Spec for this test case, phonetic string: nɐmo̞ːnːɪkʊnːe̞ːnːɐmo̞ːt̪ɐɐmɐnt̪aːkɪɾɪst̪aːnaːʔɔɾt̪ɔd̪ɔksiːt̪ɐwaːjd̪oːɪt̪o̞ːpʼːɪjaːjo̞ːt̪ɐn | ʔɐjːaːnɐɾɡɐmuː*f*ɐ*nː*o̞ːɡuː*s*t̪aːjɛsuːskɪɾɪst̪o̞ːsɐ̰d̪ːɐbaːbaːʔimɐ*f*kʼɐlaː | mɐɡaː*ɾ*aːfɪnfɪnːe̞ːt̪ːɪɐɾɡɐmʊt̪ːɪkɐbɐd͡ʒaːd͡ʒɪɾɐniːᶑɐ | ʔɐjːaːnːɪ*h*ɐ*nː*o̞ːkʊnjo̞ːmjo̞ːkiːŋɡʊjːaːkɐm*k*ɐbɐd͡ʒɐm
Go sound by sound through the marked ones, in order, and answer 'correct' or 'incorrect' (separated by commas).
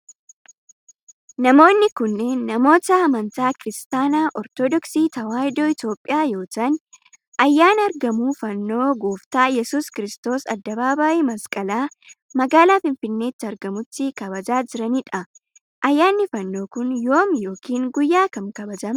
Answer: correct, correct, incorrect, incorrect, incorrect, incorrect, correct, correct